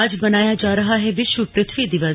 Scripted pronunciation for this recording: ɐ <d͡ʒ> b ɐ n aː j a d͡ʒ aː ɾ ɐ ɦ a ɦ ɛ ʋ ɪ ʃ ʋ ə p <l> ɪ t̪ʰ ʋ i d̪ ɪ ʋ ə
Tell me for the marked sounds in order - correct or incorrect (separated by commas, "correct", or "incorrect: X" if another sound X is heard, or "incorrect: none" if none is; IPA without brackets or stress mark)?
correct, incorrect: ɾ